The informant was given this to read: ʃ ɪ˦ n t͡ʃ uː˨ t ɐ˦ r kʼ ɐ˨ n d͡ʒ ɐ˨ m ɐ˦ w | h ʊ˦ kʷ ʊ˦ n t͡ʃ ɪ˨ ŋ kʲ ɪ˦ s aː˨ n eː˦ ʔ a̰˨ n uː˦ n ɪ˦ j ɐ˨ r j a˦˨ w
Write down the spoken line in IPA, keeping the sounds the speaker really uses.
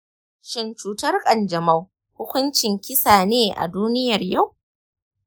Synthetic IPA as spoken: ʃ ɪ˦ n t͡ʃ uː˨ t ɐ˦ r kʼ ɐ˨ n d͡ʒ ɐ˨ m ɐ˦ w | h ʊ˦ kʷ ʊ˦ n t͡ʃ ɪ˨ ŋ kʲ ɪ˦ s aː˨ n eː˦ ʔ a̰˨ d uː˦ n ɪ˦ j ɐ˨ r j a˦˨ w